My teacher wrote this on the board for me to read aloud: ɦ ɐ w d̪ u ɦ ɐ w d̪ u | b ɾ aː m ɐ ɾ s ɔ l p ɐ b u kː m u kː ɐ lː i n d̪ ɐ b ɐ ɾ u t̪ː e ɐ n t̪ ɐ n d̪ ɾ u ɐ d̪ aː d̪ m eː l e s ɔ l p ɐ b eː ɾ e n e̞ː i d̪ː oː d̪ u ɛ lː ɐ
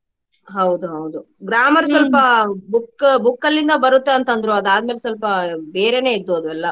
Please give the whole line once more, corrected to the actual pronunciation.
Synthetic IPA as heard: ɦ ɐ w d̪ u ɦ ɐ w d̪ u | ɡ ɾ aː m ɐ ɾ s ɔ l p ɐ b u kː b u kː ɐ lː i n d̪ ɐ b ɐ ɾ u t̪ː e ɐ n t̪ ɐ n d̪ ɾ u ɐ d̪ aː d̪ m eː l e s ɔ l p ɐ b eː ɾ e n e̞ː i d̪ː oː d̪ u ɛ lː ɐ